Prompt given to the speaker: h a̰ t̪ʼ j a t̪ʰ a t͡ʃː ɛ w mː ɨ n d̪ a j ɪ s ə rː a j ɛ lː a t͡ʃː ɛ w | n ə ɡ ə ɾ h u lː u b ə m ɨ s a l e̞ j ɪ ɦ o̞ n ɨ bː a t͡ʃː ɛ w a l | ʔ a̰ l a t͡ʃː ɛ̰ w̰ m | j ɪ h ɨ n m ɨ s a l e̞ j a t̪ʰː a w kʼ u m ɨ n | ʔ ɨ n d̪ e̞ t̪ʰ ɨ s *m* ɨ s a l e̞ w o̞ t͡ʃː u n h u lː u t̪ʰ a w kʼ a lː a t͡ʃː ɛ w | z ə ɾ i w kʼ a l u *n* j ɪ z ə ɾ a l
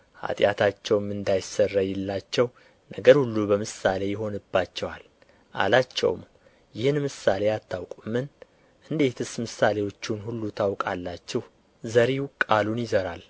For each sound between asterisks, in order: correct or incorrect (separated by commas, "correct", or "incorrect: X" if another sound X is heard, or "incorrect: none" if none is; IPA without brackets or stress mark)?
correct, correct